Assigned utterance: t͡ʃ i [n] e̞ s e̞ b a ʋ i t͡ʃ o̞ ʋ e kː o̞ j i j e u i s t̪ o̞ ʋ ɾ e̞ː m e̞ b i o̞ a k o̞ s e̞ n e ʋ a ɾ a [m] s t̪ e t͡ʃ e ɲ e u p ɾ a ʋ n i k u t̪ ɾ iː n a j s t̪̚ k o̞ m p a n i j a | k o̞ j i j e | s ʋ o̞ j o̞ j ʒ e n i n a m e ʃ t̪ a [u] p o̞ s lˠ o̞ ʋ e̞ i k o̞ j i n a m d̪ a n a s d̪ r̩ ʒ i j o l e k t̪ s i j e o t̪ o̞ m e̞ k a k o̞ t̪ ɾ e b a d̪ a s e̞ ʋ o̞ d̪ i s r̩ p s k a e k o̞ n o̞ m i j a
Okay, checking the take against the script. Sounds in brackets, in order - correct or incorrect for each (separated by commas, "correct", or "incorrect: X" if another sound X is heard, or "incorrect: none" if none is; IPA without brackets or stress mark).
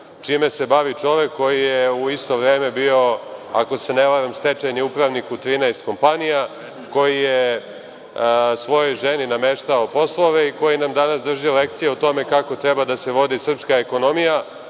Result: incorrect: m, correct, incorrect: o